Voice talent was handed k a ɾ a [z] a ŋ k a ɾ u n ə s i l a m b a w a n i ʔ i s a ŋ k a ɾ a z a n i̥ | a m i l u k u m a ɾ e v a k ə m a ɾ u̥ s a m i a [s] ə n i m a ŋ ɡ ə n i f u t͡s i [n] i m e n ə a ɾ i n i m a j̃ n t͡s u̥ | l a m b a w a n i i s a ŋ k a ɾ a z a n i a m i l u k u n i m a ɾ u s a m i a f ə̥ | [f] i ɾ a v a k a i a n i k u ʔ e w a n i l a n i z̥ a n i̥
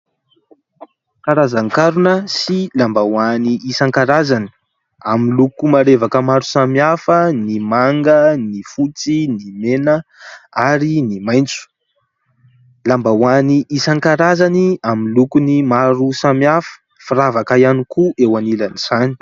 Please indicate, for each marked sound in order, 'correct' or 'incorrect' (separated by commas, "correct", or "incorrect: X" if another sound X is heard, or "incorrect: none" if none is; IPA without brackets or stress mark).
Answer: correct, incorrect: f, correct, correct